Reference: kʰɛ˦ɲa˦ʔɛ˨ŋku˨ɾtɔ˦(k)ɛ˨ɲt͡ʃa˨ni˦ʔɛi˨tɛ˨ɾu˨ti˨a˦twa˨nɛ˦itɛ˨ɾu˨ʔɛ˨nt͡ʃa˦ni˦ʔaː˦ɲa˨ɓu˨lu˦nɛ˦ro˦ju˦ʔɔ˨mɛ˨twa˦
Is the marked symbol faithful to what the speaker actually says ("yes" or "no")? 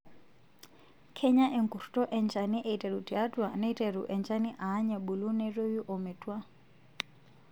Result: no